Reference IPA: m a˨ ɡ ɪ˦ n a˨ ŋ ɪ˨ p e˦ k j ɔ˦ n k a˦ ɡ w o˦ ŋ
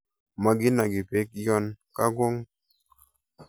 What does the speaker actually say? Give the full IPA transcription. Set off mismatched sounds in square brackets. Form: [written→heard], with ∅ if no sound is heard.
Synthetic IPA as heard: m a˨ ɡ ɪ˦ n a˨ [ŋ→ɡ] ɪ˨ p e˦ k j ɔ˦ n k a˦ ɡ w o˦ ŋ

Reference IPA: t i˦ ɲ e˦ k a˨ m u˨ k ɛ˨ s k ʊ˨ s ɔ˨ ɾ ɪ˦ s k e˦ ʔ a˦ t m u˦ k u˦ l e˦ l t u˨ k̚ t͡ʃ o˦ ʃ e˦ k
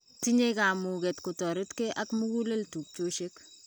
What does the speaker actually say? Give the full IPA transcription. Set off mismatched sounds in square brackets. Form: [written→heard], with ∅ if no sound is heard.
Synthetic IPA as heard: t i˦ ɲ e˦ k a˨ m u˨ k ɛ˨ [s→t] k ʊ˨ [s→t] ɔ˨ ɾ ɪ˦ [s→t] k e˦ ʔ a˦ [t→k] m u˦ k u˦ l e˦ l t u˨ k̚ t͡ʃ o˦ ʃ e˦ k

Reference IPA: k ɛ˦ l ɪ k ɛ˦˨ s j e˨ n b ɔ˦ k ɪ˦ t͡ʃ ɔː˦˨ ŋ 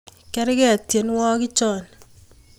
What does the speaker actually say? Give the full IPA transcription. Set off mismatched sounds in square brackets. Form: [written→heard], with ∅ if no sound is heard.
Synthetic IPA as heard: k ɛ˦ [l→ɾ] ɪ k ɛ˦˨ [s→t] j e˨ n [b→w] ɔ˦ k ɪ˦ t͡ʃ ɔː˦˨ [ŋ→n]

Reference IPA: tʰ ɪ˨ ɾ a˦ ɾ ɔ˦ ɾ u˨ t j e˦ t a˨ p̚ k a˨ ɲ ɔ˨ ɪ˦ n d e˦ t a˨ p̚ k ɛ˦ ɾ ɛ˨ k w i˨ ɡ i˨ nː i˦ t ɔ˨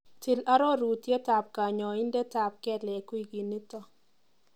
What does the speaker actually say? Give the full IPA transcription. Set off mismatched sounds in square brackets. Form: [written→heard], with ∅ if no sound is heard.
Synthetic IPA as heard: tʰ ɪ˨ [ɾ→l] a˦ ɾ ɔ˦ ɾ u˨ t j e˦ t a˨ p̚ k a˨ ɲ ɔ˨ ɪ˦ n d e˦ t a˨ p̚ k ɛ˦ [ɾ→l] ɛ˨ k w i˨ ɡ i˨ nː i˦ t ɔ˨

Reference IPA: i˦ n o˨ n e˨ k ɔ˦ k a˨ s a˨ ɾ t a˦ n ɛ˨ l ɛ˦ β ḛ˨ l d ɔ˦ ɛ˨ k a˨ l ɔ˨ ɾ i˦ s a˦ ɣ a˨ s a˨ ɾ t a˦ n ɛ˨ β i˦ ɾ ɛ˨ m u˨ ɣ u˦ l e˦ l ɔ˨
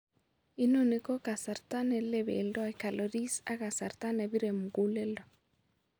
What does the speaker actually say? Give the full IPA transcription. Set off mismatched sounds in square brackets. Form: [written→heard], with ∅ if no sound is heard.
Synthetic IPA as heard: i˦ n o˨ n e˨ k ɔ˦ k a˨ s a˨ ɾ t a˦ n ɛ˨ l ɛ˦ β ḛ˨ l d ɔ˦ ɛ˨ k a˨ l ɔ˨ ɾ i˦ s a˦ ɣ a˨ s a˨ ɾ t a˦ n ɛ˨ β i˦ ɾ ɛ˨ m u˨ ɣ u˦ l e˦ l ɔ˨

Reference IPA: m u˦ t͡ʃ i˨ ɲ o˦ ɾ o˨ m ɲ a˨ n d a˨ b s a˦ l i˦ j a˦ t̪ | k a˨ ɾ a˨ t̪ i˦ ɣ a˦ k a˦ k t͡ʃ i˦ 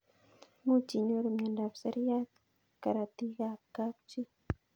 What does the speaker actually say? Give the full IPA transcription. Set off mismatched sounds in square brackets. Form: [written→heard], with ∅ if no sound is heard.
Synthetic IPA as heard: m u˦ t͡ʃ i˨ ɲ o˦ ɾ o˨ m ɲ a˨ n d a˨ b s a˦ [l→ɾ] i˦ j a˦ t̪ | k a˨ ɾ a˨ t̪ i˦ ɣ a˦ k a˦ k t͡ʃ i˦

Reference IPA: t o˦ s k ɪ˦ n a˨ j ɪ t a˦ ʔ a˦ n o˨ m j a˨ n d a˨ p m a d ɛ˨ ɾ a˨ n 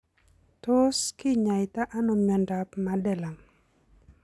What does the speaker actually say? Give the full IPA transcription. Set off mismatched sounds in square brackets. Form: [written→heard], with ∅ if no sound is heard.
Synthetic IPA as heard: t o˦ s k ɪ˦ [n→ɲ] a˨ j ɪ t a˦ ʔ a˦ n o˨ m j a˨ n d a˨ p m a d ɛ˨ [ɾ→l] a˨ [n→ŋ]

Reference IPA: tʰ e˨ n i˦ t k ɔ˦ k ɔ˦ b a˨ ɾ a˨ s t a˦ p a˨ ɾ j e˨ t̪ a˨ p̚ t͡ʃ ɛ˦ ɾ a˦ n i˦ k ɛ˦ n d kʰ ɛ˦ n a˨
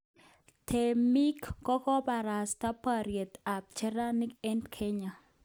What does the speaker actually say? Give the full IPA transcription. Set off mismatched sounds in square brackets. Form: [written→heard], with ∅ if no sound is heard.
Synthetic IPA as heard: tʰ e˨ [n→m] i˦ [t→k] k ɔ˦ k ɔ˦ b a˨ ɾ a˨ s t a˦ p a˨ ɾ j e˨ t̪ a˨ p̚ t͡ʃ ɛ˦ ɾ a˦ n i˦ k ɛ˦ n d kʰ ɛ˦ [n→ɲ] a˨

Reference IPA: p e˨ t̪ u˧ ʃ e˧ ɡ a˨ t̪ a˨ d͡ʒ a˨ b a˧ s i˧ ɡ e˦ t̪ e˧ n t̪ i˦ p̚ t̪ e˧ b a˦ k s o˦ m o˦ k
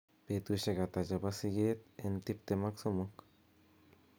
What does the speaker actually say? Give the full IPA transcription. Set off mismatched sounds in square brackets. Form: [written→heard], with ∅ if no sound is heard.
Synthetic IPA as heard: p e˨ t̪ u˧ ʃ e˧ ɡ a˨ t̪ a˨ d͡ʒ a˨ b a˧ s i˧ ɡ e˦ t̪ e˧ n t̪ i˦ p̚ t̪ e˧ [b→m] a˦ k s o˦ m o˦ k

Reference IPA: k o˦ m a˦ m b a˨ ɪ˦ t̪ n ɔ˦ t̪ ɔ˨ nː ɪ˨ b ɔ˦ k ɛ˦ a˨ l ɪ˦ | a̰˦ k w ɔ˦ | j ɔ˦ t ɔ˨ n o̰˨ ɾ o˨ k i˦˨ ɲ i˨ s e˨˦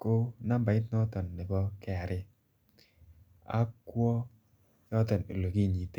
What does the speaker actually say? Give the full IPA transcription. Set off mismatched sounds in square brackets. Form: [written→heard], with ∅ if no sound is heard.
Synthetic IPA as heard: k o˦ [m→n] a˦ m b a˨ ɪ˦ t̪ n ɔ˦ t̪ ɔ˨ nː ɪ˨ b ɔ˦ k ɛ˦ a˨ [l→ɾ] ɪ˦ | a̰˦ k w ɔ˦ | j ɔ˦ t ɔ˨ n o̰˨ [ɾ→l] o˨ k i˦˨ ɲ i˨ [s→t] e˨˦

